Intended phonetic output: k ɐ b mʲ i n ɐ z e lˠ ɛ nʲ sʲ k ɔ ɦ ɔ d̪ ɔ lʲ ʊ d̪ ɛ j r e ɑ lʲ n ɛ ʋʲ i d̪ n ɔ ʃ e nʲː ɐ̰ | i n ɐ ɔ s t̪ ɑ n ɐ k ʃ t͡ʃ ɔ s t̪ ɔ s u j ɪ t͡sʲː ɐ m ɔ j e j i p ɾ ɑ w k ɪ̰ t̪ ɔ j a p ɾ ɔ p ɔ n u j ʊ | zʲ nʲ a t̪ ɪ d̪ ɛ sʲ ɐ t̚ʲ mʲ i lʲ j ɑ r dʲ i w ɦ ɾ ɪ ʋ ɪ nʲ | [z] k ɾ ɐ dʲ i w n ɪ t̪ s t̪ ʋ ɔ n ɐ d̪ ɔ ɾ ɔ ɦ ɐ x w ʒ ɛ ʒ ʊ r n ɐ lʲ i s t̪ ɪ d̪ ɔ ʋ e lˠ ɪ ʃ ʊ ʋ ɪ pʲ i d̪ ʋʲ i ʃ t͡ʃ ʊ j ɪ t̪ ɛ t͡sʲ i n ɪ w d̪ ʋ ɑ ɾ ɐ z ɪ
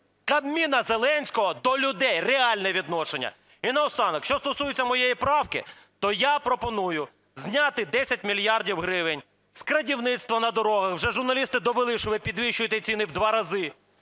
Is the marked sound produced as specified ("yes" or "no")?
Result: no